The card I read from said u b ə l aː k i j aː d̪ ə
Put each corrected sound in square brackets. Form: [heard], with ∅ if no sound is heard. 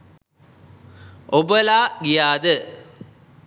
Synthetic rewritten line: [o] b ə l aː [ɡ] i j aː d̪ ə